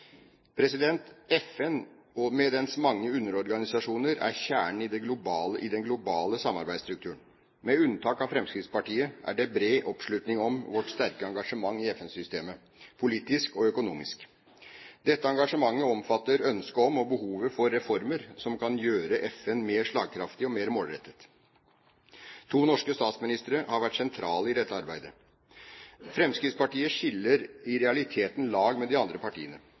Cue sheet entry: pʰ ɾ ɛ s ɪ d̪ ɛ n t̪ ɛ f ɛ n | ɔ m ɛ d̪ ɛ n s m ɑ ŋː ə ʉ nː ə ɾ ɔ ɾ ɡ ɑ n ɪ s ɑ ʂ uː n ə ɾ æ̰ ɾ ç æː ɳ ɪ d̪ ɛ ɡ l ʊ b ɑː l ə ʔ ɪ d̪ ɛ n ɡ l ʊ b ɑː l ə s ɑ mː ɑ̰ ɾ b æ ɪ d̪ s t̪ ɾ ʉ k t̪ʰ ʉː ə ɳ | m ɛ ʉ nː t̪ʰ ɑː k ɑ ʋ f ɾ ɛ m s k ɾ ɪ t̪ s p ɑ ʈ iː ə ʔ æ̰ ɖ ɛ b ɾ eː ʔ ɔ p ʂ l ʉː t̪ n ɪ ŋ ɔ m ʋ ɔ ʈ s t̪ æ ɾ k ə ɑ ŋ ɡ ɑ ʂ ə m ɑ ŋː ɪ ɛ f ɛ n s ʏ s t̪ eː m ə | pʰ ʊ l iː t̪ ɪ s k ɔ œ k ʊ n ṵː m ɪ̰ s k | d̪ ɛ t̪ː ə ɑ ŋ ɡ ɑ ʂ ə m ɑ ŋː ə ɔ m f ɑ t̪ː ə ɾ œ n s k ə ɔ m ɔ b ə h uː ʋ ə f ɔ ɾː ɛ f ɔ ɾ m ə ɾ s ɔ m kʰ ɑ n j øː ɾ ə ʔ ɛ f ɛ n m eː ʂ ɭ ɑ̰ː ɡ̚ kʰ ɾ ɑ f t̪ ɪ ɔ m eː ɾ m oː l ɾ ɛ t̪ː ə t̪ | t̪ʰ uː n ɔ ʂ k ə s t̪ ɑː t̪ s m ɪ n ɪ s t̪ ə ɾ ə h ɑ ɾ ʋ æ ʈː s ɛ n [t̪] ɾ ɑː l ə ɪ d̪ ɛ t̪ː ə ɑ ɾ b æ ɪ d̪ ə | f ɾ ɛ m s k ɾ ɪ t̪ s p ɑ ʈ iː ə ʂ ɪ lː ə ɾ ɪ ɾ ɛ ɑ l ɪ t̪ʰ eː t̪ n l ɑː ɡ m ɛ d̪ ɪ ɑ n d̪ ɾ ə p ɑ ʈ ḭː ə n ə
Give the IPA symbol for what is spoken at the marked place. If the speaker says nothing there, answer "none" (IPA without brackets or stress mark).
t̪ʰ